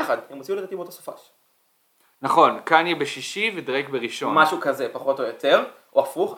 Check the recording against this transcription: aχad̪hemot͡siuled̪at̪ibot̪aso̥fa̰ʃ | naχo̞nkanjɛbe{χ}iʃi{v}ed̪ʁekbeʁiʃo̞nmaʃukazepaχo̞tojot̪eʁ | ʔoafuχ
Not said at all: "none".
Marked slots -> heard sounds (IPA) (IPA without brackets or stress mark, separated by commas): ʃ, v